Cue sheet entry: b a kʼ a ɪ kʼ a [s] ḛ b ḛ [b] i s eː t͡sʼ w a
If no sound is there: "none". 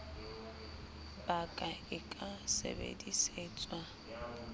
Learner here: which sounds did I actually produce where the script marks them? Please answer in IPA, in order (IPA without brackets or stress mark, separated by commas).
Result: s, d